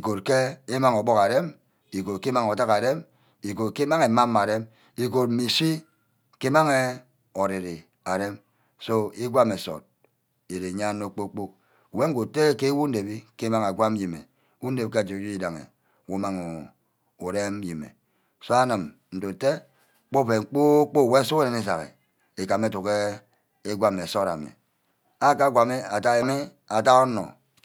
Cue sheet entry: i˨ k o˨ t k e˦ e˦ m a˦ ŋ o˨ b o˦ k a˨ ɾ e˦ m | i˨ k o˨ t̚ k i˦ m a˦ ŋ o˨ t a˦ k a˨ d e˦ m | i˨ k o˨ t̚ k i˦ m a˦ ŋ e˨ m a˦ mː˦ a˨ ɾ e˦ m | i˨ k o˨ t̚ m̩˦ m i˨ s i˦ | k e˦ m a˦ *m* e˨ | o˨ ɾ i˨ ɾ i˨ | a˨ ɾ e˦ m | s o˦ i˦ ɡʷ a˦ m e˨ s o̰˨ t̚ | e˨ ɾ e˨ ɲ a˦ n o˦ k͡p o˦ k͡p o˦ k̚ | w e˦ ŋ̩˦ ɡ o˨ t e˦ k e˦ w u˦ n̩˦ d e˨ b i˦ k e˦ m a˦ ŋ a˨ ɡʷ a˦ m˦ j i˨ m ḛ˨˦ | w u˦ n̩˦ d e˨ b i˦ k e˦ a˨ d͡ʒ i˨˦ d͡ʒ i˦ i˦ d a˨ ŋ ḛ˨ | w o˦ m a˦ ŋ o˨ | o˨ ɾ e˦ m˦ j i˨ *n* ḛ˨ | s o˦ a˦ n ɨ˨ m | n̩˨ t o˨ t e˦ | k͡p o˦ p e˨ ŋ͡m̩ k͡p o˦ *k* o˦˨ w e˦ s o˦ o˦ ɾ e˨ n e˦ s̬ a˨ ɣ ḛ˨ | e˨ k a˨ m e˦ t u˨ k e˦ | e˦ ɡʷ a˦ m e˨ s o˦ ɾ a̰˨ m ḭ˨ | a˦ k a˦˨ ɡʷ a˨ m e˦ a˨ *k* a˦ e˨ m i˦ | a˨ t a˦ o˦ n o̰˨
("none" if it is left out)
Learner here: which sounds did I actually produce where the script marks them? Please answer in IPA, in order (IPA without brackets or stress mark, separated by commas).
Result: ŋ, m, k͡p, t